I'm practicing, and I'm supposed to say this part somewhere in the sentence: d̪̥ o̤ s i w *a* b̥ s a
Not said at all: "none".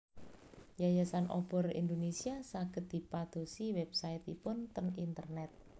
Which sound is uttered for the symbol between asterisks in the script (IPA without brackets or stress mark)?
ɛ